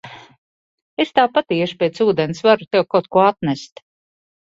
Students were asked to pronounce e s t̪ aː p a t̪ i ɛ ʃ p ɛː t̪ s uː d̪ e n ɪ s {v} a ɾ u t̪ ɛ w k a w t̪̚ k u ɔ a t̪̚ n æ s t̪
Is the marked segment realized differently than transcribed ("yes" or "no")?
no